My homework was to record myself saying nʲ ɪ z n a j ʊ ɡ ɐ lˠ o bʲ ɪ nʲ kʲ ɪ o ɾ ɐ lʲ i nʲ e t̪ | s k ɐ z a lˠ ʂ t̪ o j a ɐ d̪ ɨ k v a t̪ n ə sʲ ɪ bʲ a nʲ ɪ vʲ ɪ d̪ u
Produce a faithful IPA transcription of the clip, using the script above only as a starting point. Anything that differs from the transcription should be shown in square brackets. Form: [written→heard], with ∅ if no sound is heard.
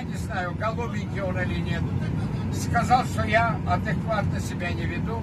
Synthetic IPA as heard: nʲ ɪ z n a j ʊ ɡ ɐ lˠ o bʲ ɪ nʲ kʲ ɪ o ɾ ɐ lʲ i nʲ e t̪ | s k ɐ z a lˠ ʂ t̪ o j a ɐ d̪ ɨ k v a t̪ n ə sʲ ɪ bʲ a nʲ ɪ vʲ ɪ d̪ u